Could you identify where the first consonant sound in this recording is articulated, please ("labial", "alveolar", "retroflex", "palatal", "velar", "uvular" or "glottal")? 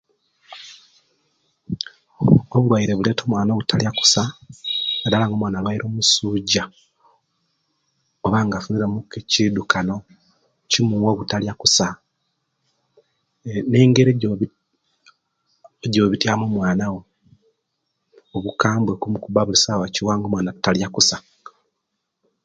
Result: labial